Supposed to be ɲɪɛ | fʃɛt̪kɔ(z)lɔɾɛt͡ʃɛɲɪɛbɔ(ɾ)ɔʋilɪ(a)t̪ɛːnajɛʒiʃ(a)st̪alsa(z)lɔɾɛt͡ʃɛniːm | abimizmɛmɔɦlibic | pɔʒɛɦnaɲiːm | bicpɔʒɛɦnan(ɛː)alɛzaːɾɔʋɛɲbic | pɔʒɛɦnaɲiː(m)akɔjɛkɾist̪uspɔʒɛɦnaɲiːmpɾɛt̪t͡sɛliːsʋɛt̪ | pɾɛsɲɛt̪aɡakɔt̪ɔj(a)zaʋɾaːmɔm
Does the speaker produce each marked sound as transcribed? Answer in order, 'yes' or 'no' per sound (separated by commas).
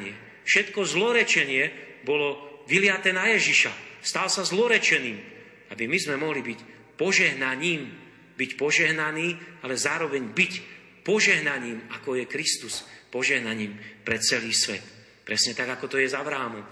yes, no, yes, yes, yes, no, yes, no